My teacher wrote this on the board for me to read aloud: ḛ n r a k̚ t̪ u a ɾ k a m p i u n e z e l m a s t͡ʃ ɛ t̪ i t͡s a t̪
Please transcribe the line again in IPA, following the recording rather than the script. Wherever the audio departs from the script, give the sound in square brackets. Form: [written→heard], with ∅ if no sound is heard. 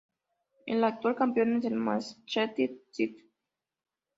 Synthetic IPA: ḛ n [r→l] a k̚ t̪ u a [ɾ→l] k a m p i [u→o] n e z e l m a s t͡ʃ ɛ t̪ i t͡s [a→i] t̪